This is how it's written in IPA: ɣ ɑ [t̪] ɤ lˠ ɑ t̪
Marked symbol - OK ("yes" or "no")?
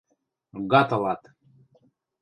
yes